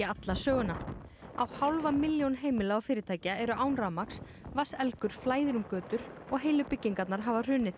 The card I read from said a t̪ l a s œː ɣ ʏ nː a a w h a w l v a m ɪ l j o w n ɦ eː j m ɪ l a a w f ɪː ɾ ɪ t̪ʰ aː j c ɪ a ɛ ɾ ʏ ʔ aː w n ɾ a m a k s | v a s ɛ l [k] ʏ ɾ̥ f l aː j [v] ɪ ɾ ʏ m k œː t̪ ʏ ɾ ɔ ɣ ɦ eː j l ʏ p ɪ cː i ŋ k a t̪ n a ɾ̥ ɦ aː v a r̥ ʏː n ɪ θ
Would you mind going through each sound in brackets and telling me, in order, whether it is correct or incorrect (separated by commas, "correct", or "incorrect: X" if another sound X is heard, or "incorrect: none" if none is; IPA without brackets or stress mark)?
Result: correct, incorrect: ð